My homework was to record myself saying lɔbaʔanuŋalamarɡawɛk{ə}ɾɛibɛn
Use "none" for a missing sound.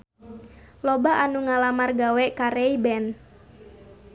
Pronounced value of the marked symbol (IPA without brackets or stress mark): a